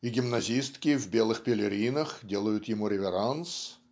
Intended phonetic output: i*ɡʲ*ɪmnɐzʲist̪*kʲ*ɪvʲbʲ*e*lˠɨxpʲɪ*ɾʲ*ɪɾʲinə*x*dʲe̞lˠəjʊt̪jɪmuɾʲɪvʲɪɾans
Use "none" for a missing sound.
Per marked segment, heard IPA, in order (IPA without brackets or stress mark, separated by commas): ɡʲ, kʲ, e, lʲ, x